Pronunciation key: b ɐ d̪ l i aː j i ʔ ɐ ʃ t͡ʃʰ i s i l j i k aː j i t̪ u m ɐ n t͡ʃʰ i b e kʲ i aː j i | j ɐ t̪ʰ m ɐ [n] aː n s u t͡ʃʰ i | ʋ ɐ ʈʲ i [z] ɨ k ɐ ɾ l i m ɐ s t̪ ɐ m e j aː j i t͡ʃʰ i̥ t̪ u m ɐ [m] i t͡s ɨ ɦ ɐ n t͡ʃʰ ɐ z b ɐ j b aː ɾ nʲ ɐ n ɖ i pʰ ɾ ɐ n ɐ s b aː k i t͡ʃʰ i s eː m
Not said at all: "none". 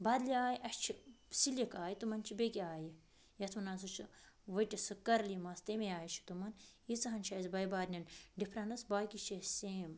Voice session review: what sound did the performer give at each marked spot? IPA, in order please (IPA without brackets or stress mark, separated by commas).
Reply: n, s, n